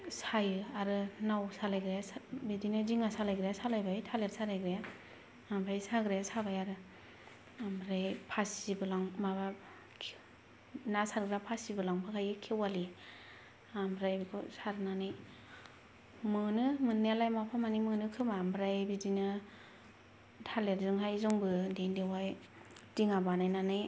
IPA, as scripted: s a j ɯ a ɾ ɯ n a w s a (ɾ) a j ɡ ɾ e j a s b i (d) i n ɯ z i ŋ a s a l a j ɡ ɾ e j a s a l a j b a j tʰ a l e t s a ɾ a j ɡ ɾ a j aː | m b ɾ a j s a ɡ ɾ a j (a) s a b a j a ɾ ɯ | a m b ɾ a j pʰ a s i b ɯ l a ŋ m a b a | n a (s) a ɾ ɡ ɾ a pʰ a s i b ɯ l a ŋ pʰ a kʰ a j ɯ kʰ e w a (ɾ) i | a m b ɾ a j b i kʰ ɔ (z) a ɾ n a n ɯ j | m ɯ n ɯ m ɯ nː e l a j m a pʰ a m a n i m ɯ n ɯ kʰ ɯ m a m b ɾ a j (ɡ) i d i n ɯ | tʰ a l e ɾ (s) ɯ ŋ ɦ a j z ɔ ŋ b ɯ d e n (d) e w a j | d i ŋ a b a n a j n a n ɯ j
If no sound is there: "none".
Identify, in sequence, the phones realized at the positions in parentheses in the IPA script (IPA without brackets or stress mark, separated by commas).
l, d, a, s, l, s, b, z, d